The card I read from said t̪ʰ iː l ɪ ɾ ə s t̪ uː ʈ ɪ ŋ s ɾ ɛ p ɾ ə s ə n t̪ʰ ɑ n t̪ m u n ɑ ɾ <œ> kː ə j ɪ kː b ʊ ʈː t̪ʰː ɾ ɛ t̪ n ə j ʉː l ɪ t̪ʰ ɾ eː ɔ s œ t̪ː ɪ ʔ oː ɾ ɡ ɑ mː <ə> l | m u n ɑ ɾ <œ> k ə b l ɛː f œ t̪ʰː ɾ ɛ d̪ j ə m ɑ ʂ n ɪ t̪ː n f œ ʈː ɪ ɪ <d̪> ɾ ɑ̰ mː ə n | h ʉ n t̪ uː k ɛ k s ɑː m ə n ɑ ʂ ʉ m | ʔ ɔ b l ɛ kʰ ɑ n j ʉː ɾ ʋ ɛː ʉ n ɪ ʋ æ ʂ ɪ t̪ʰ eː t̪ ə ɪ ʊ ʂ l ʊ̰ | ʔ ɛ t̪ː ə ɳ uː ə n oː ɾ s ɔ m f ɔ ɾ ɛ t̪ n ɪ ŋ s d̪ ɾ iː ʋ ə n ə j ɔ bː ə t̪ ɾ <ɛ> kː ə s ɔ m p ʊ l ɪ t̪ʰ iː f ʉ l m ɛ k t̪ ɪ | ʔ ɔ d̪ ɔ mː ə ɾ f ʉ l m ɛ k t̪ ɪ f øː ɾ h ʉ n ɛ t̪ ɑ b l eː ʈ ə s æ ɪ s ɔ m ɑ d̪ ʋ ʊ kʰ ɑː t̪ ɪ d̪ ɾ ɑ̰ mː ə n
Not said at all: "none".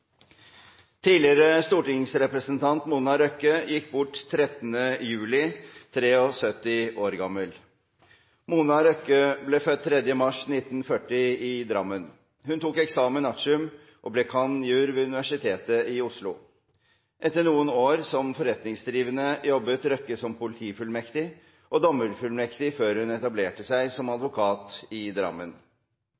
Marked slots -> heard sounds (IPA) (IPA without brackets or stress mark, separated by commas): œ, ə, œ, d̪, œ